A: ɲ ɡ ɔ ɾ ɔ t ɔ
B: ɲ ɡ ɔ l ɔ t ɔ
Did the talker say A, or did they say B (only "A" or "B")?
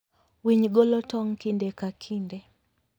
B